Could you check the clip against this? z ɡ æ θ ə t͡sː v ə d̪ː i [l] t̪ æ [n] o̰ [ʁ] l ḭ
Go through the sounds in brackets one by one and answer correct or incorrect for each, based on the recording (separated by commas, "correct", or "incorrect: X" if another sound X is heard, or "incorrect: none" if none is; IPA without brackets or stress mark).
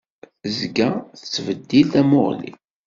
correct, incorrect: m, correct